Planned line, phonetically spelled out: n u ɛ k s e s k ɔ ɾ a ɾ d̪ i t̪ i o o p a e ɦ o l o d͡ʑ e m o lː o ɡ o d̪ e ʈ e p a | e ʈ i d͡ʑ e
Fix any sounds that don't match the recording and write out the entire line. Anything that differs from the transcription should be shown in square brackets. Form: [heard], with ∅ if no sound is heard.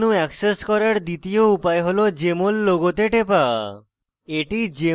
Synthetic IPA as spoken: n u ɛ k s e s k ɔ ɾ a ɾ d̪ i t̪ i o [u] p a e ɦ o l o d͡ʑ e m o lː o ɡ o [t̪] e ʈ e p a | e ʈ i d͡ʑ e